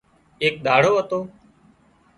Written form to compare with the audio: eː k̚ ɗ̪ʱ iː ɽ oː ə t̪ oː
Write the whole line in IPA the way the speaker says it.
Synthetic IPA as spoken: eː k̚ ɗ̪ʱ aː ɽ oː ə t̪ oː

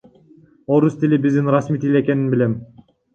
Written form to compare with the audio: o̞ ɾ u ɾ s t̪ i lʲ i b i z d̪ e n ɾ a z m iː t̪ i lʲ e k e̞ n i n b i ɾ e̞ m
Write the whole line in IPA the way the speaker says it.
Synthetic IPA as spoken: o̞ ɾ u s t̪ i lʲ i b i z d̪ i n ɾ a s m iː t̪ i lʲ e k e̞ n i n b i l e̞ m

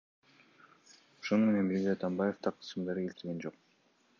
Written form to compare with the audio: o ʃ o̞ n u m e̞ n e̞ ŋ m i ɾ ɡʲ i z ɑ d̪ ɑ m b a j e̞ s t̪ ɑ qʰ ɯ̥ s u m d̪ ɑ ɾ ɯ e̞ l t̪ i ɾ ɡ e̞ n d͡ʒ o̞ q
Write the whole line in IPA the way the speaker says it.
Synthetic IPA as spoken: o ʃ o̞ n u m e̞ n e̞ n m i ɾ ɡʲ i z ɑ t̪ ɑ m b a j e̞ f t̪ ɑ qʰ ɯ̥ s ɯ m d̪ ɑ ɾ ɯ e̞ l t̪ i ɾ ɡ e̞ n d͡ʒ o̞ q

